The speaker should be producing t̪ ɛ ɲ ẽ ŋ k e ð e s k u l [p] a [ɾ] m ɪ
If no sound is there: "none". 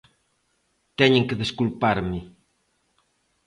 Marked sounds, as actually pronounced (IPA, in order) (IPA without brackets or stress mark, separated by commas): p, ɾ